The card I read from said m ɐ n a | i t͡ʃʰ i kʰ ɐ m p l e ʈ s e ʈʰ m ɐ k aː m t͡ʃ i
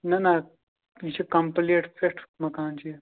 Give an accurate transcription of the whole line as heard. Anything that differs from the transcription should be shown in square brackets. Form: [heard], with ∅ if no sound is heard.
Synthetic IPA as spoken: [n] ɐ n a | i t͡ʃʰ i [k] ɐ m p l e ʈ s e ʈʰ m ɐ k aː [n] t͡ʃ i